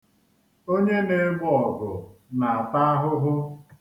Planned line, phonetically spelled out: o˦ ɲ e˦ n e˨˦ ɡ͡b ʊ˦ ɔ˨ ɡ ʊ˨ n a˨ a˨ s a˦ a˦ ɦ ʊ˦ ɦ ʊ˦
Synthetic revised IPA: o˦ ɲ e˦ n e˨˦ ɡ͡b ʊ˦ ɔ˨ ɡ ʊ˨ n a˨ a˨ t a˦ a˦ ɦ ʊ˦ ɦ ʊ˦